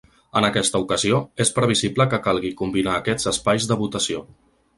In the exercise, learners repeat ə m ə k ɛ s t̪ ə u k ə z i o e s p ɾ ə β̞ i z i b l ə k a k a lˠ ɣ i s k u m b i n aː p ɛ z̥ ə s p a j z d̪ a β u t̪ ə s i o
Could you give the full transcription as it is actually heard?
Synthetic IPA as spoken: ə n ə k ɛ s t̪ ə u k ə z i o e s p ɾ ə β̞ i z i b l ə k ə k a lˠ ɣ i k u m b i n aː k ɛ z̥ ə s p a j z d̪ ə β u t̪ ə s i o

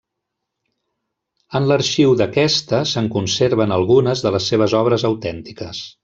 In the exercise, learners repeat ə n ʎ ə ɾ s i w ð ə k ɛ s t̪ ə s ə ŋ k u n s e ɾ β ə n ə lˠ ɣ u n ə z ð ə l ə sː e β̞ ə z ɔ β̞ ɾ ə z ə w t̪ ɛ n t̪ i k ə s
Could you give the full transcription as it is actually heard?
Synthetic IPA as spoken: ə n l ə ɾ ʃ i w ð ə k ɛ s t̪ ə s ə ŋ k u n s e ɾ β ə n ə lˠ ɣ u n ə z ð ə l ə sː e β̞ ə z ɔ β̞ ɾ ə z ə w t̪ ɛ n t̪ i k ə s

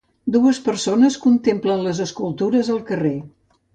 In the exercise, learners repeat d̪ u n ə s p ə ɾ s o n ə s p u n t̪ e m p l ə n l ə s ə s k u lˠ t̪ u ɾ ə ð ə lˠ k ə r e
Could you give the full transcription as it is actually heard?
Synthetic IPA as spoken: d̪ u ə s p ə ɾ s o n ə s k u n t̪ e m p l ə n l ə z ə s k u lˠ t̪ u ɾ ə z ə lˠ k ə r e

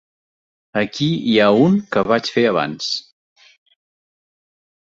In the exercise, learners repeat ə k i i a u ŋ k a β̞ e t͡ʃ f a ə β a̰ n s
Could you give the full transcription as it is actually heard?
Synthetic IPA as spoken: ə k i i a u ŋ k ə β̞ a t͡ʃ f e ə β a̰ n s

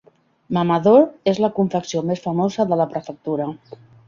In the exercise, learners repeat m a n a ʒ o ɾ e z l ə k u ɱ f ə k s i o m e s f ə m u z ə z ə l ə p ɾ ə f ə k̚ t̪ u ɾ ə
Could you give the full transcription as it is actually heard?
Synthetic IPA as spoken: m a m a ð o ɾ e z l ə k u ɱ f ə k s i o m e s f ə m o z ə ð ə l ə p ɾ ə f ə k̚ t̪ u ɾ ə

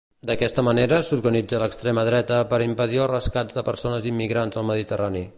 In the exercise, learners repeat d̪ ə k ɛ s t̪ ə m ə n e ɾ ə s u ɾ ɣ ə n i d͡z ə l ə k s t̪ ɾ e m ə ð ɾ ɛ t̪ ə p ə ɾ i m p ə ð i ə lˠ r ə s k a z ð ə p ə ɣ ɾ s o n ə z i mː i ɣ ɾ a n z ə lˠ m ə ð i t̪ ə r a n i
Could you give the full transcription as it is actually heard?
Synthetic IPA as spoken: d̪ ə k ɛ s t̪ ə m ə n e ɾ ə s u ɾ ɣ ə n i d͡z ə l ə k s t̪ ɾ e m ə ð ɾ ɛ t̪ ə p ə ɾ i m p ə ð i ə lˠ r ə s k a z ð ə p ə ɾ s o n ə z i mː i ɣ ɾ a n z ə lˠ m ə ð i t̪ ə r a n i

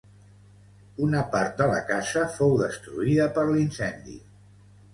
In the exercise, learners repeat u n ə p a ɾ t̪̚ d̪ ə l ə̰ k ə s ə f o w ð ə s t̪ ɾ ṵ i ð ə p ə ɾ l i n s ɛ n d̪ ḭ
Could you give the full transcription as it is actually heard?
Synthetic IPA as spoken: u n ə p a ɾ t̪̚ d̪ ə l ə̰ k a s ə f o w ð ə s t̪ ɾ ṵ i ð ə p ə ɾ l i n s ɛ n d̪ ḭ

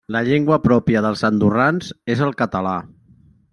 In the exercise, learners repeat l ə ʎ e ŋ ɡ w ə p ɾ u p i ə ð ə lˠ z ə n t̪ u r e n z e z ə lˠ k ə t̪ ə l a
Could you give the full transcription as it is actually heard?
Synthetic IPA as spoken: l ə ʎ e ŋ ɡ w ə p ɾ ɔ p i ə ð ə lˠ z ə n d̪ u r a n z e z ə lˠ k ə t̪ ə l a

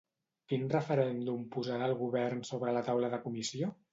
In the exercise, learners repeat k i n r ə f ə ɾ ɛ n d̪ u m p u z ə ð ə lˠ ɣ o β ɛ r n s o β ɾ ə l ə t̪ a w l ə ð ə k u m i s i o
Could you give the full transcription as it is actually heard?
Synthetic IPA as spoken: k i n r ə f ə ɾ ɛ n d̪ u m p u z a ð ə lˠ ɣ u β ɛ r n s o β ɾ ə l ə t̪ a w l ə ð ə k u m i s i o

